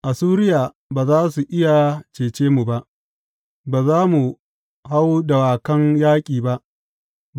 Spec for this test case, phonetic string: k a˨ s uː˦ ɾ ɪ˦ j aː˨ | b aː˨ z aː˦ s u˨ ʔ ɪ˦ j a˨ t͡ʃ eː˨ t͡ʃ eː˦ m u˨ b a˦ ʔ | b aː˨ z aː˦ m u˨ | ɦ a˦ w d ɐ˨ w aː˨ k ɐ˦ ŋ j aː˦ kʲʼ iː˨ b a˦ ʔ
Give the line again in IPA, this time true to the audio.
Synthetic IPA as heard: ʔ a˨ s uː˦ ɾ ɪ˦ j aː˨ | b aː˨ z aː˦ s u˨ ʔ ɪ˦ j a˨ t͡ʃ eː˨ t͡ʃ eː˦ m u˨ b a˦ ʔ | b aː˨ z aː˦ m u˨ | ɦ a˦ w d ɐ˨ w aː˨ k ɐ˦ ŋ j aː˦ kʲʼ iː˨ b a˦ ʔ